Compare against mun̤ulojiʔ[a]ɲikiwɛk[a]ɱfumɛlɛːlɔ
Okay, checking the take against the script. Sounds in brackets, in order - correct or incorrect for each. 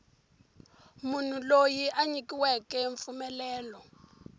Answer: correct, incorrect: ɛ

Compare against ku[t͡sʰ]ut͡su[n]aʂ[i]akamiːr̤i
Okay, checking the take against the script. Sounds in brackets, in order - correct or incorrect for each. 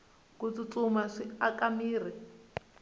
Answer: incorrect: t͡s, incorrect: m, correct

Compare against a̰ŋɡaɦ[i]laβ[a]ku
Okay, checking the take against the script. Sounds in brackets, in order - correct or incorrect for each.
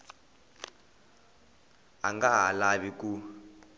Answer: incorrect: a, incorrect: i

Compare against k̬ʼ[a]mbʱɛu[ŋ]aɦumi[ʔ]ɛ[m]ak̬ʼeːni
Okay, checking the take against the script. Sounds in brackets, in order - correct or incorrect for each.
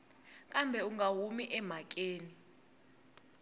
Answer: correct, correct, correct, correct

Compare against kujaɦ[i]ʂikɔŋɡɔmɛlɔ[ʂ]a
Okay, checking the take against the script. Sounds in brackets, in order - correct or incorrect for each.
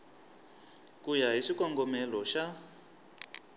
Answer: correct, incorrect: ʃ

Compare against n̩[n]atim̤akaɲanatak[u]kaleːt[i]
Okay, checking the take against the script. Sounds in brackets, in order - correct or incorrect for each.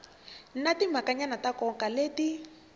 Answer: correct, incorrect: ɔ, correct

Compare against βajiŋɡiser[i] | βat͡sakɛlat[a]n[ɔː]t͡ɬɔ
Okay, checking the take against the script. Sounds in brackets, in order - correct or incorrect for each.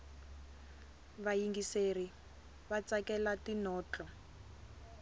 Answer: correct, incorrect: i, correct

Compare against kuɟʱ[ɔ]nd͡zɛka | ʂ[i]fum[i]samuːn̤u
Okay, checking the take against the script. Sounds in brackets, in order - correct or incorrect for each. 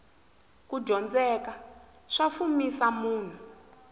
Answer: correct, incorrect: a, correct

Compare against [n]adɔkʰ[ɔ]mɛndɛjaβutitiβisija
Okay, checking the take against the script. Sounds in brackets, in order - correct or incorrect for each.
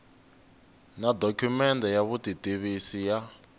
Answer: correct, incorrect: u

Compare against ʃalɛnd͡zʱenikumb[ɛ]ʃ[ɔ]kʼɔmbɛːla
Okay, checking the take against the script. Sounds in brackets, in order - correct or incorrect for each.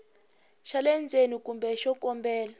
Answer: correct, correct

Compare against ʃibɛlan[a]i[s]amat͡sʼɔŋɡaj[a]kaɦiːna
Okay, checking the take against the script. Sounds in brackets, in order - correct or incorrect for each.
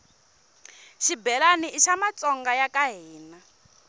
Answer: incorrect: i, incorrect: ʃ, correct

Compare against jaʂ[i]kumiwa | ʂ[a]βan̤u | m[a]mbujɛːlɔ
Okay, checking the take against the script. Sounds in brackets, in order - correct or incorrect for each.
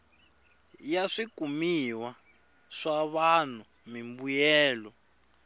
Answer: correct, correct, incorrect: i

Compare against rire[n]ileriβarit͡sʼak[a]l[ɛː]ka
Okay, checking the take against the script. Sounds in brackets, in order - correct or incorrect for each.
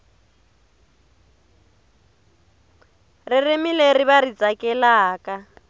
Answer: incorrect: m, incorrect: ɛ, incorrect: aː

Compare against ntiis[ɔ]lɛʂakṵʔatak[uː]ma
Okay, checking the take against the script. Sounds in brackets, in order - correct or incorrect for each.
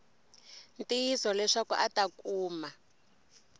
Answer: correct, correct

